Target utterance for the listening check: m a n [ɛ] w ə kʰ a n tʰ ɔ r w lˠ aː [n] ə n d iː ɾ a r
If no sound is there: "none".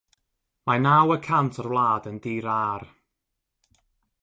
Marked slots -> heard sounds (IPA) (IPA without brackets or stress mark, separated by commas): a, d